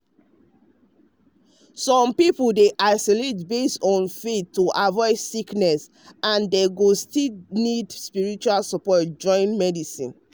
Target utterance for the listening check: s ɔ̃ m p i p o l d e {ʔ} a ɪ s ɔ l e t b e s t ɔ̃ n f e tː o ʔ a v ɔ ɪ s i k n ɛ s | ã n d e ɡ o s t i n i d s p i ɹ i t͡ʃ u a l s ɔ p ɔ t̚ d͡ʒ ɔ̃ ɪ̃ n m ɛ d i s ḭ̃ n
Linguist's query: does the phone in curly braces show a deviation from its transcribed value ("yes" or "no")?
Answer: no